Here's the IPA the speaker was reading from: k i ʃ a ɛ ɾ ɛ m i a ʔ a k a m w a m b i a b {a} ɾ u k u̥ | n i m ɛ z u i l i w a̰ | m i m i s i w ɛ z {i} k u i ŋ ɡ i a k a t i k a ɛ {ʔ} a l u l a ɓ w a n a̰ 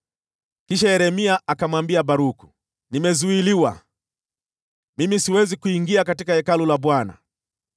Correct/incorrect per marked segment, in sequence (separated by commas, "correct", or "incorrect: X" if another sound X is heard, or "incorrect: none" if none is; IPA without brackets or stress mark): correct, correct, incorrect: k